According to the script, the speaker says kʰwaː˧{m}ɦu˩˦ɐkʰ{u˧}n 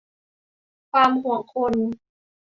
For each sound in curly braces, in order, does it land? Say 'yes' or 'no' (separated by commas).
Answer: yes, no